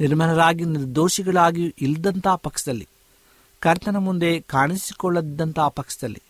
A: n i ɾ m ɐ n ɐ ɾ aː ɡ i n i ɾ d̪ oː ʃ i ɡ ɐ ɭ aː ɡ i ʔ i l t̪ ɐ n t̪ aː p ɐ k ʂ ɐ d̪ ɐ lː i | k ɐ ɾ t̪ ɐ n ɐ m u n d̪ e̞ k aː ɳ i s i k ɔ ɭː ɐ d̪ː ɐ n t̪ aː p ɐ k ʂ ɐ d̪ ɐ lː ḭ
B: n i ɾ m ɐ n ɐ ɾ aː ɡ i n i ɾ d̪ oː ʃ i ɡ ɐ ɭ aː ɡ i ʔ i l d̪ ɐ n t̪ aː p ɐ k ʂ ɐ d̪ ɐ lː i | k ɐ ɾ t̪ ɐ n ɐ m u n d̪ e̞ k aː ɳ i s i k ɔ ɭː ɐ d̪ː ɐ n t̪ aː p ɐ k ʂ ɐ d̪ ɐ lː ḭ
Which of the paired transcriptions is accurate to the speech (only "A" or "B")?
B